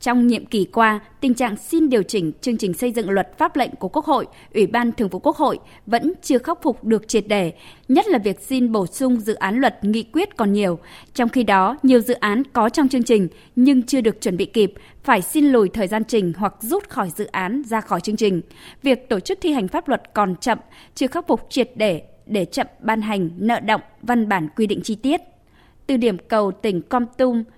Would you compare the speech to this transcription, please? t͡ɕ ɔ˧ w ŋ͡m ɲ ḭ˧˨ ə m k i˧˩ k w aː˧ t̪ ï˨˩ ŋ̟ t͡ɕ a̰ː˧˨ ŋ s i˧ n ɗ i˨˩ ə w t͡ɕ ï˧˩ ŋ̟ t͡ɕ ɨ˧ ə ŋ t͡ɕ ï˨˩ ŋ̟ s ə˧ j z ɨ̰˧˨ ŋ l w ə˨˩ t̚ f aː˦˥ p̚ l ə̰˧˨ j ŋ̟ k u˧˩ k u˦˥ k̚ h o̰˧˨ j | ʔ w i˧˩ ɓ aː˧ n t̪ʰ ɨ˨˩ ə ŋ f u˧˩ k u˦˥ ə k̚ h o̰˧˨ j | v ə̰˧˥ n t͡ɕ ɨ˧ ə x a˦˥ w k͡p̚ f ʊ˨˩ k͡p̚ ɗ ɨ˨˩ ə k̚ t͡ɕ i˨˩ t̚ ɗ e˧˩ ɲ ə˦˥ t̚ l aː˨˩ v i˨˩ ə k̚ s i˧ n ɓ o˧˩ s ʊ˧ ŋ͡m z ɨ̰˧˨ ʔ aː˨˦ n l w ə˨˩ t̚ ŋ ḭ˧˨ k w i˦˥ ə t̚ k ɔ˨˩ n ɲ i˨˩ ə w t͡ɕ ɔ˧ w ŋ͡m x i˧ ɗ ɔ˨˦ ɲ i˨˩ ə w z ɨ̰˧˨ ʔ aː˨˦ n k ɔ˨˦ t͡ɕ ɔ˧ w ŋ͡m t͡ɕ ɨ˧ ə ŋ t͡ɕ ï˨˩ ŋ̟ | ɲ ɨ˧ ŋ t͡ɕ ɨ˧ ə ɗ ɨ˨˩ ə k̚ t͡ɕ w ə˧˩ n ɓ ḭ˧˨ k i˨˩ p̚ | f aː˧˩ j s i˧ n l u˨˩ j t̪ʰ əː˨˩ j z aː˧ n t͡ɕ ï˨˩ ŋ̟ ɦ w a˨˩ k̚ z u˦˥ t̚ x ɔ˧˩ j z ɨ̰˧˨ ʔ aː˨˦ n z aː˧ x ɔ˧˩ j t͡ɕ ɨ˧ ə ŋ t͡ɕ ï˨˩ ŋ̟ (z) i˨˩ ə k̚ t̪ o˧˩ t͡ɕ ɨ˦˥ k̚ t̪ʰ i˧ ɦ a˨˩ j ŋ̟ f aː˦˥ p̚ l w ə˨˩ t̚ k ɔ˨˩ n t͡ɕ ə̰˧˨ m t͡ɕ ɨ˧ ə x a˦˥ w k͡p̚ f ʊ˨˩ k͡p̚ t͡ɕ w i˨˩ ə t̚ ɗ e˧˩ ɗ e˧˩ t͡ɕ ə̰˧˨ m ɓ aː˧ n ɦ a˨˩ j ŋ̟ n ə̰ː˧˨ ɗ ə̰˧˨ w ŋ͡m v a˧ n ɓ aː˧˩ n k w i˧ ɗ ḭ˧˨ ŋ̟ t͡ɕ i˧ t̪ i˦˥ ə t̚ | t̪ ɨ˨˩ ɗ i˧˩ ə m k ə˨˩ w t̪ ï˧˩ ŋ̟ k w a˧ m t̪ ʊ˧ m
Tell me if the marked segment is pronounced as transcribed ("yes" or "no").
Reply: no